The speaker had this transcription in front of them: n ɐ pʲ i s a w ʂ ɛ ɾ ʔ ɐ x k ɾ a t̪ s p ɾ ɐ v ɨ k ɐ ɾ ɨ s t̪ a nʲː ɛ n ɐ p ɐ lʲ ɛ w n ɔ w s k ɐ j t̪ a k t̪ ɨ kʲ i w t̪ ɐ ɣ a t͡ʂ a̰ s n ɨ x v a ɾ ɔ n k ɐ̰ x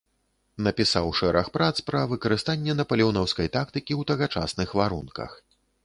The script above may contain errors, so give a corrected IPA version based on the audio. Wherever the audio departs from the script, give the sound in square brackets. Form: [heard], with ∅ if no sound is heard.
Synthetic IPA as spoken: n ɐ pʲ i s a w ʂ ɛ ɾ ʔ ɐ x [p] ɾ a t̪ s p ɾ ɐ v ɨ k ɐ ɾ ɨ s t̪ a nʲː ɛ n ɐ p ɐ lʲ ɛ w n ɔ w s k ɐ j t̪ a k t̪ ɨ kʲ i w t̪ ɐ ɣ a t͡ʂ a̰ s n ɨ x v a ɾ [u] n k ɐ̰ x